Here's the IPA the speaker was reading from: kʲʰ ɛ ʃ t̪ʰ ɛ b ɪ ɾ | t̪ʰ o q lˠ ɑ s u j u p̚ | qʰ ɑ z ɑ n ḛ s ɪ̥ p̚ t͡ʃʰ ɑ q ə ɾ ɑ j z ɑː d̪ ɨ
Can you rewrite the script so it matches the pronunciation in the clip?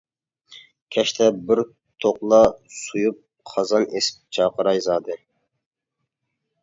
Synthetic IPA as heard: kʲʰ ɛ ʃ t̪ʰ ɛ b ɪ ɾ | t̪ʰ o q lˠ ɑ s u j u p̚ | qʰ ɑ z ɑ n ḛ s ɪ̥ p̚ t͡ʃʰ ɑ q ə ɾ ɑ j z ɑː d̪ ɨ